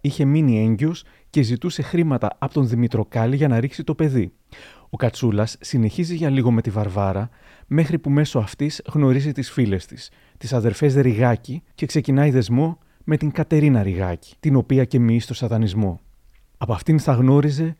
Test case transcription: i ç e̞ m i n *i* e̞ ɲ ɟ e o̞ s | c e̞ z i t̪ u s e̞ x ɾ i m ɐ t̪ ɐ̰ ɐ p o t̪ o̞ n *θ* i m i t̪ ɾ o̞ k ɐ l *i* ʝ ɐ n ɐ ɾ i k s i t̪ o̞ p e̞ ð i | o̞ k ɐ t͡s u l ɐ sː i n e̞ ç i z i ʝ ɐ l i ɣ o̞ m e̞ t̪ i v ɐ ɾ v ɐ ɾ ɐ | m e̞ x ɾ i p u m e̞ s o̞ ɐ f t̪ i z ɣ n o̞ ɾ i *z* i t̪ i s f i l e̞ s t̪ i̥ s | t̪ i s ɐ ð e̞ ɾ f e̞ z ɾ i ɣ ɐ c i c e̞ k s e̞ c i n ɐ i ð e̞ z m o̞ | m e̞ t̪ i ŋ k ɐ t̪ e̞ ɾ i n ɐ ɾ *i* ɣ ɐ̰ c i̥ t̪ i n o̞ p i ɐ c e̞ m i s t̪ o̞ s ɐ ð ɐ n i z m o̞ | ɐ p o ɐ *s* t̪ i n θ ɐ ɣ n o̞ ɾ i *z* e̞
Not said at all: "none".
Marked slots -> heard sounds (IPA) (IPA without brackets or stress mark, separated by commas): i, ð, i, z, i, f, z